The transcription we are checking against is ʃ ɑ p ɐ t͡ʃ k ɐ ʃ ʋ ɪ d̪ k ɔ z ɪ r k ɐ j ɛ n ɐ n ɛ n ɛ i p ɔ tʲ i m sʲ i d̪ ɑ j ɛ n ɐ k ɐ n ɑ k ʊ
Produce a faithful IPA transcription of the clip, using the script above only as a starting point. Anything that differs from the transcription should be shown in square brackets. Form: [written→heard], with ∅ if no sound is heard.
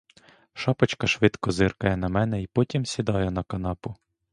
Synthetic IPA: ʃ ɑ p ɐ t͡ʃ k ɐ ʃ ʋ ɪ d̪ k ɔ z ɪ r k ɐ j ɛ n ɐ [n→m] ɛ n ɛ i p ɔ tʲ i m sʲ i d̪ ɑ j ɛ n ɐ k ɐ n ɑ [k→p] ʊ